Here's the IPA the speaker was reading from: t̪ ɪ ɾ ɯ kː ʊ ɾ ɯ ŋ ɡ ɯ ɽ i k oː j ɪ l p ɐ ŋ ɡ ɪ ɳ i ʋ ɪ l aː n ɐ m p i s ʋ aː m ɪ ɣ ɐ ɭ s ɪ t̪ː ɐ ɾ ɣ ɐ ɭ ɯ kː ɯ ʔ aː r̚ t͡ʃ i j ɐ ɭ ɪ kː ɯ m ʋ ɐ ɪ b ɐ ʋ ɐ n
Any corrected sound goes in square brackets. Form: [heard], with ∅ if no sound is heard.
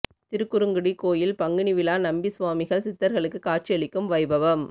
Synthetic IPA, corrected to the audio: t̪ ɪ ɾ ɯ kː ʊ ɾ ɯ ŋ ɡ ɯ ɽ i k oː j ɪ l p ɐ ŋ ɡ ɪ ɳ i ʋ ɪ l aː n ɐ m [b] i s ʋ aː m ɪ ɣ ɐ ɭ s ɪ t̪ː ɐ ɾ ɣ ɐ ɭ ɯ kː ɯ [k] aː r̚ t͡ʃ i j ɐ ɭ ɪ kː ɯ m ʋ ɐ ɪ b ɐ ʋ ɐ [m]